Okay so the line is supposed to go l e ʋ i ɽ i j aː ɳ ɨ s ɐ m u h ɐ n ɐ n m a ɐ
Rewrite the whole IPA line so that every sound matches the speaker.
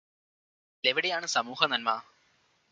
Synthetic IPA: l e ʋ i ɽ e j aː ɳ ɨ s ɐ m uː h ɐ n ɐ n m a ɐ